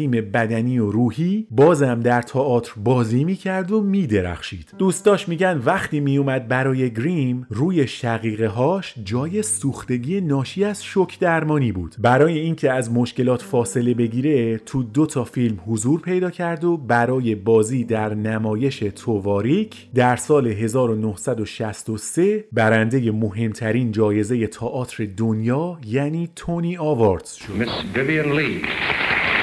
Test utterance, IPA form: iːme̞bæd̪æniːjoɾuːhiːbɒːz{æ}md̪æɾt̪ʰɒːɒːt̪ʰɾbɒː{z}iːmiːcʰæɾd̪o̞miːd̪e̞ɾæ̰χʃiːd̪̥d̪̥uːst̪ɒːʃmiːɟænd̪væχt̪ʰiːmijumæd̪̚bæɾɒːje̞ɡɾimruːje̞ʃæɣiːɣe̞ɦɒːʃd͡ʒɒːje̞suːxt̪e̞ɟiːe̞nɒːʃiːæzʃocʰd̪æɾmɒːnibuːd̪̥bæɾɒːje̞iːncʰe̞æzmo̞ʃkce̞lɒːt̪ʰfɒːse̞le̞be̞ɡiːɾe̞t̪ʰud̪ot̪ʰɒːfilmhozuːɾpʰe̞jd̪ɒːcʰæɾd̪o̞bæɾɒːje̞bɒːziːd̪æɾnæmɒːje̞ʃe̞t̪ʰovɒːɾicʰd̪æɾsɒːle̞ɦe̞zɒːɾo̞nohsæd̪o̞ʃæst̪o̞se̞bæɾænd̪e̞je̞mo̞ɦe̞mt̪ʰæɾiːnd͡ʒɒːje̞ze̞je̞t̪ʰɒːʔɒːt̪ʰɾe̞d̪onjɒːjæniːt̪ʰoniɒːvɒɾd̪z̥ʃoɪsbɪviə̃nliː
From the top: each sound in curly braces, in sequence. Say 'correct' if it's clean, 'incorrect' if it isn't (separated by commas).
correct, correct